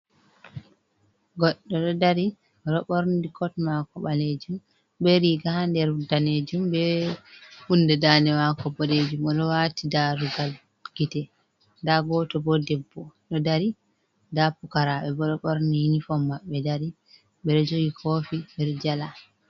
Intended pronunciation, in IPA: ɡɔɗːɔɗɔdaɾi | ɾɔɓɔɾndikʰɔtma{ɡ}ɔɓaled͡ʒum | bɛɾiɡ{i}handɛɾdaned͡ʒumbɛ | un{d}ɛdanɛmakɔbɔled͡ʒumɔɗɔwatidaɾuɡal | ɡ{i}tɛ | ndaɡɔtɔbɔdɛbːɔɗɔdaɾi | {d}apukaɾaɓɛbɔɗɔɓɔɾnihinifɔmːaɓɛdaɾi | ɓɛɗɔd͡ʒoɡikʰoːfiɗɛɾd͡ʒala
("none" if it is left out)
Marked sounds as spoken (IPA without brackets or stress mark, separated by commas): k, a, d, i, d